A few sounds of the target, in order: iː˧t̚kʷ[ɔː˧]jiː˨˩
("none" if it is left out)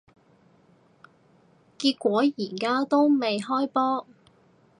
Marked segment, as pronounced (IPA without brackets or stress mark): ɔː˨˥